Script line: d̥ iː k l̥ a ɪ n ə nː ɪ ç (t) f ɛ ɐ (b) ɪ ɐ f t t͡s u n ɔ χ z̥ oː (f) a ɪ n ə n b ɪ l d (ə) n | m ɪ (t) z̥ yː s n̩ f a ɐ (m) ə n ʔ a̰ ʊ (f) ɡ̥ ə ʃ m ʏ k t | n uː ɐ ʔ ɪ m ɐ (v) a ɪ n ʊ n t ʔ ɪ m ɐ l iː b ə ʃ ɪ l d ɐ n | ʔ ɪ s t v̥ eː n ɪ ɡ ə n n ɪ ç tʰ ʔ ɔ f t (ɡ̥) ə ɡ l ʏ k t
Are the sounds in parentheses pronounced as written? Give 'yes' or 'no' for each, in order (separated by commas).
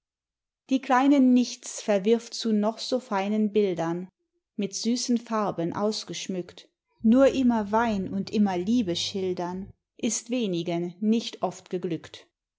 no, no, yes, no, yes, no, no, yes, yes